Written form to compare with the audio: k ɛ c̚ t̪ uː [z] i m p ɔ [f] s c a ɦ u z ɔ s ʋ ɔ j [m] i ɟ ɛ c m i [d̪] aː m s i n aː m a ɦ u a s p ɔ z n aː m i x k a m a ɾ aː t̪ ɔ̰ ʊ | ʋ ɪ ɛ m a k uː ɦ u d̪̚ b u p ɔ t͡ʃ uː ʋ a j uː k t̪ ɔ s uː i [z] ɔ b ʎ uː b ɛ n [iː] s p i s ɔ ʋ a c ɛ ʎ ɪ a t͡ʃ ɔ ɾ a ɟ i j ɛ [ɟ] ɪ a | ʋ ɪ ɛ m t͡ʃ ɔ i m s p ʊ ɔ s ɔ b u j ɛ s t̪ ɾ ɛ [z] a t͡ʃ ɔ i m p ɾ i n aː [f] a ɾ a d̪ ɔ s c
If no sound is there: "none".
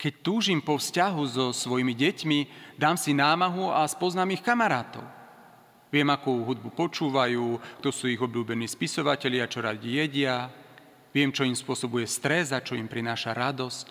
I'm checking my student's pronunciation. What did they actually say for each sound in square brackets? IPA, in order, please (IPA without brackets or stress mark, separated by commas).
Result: ʒ, f, m, d̪, ɣ, iː, ɟ, z, ʃ